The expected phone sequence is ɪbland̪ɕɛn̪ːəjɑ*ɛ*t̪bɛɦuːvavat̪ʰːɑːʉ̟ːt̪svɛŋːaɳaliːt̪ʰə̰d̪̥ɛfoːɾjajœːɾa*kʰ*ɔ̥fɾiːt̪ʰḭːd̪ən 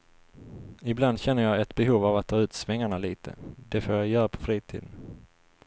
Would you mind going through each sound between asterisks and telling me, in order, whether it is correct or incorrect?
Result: correct, incorrect

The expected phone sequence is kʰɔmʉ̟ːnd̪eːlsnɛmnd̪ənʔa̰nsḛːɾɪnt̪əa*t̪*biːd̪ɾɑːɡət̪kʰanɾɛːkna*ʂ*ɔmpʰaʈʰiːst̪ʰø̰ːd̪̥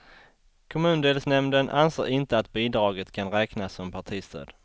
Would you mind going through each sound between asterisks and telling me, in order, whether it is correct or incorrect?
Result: correct, incorrect

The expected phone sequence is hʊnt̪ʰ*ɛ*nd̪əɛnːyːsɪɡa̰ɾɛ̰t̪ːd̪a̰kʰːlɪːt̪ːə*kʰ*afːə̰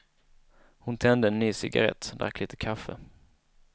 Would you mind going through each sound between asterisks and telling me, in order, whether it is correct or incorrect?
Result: correct, correct

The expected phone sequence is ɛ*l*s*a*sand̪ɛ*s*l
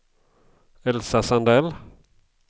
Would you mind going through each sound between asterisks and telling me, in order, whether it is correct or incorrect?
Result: correct, correct, incorrect

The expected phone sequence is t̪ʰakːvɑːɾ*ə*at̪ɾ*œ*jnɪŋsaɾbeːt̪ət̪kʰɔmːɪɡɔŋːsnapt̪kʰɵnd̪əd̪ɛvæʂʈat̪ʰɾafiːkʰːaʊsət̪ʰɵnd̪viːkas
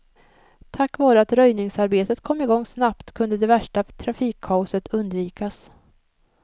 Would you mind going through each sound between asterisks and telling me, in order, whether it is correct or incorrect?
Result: correct, correct

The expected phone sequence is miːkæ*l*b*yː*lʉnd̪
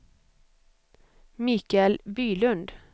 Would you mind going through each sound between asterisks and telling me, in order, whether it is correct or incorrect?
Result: correct, correct

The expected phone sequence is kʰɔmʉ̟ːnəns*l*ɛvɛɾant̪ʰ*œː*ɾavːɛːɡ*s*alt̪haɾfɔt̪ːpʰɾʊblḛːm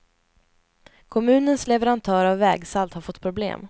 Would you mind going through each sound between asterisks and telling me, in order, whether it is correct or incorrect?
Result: correct, correct, correct

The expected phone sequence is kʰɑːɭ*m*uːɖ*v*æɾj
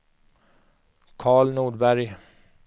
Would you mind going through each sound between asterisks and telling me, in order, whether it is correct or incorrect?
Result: incorrect, incorrect

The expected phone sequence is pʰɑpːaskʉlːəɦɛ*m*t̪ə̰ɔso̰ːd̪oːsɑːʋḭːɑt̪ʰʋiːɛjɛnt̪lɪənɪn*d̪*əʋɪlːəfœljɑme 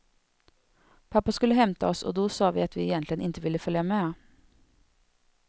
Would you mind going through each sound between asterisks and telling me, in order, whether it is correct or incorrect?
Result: correct, incorrect

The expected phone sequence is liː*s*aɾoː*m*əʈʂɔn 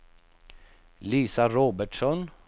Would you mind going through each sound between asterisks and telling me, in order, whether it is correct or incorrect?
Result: correct, incorrect

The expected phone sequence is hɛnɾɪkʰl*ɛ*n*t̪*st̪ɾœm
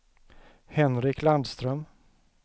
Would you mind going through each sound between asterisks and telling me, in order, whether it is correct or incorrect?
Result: incorrect, incorrect

